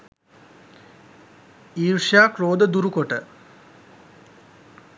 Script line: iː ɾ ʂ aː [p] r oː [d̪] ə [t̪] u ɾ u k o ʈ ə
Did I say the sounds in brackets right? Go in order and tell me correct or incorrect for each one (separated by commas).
incorrect, correct, incorrect